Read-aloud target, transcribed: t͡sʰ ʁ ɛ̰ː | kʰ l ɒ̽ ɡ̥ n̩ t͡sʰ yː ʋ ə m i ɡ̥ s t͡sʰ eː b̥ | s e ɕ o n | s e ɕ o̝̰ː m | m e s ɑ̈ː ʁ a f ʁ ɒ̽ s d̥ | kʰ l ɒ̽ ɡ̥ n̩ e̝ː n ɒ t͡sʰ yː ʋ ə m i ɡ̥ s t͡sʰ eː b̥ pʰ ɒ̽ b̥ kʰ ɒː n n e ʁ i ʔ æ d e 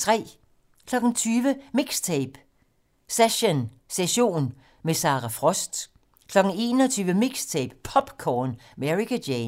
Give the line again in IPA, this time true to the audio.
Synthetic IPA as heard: t͡sʰ ʁ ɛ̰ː | kʰ l ɒ̽ ɡ̥ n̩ t͡sʰ yː ʋ ə m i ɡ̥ s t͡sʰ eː b̥ | s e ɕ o n | s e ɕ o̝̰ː n | m e s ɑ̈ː ʁ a f ʁ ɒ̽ s d̥ | kʰ l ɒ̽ ɡ̥ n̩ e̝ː n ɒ t͡sʰ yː ʋ ə m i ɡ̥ s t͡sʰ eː b̥ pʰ ɒ̽ b̥ kʰ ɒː n m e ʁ i k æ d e